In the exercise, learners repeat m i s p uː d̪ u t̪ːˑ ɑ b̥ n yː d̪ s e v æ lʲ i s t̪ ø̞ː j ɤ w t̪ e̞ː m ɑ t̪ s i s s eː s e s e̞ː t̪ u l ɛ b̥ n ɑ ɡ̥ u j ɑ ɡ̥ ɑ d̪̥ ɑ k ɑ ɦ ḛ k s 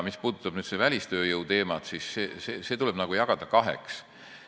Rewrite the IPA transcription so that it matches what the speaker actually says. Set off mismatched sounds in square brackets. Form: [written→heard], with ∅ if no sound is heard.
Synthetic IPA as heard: m i s p uː d̪ u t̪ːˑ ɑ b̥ n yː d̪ s e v æ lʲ i s t̪ ø̞ː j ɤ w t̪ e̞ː m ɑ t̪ s i s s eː s e s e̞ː t̪ u l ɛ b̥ n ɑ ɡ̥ u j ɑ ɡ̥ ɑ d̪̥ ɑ k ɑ ɦ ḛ k s